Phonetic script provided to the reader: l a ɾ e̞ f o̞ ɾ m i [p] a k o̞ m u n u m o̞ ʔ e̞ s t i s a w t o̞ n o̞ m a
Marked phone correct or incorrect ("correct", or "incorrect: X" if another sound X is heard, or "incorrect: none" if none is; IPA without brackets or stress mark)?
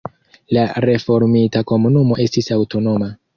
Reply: incorrect: t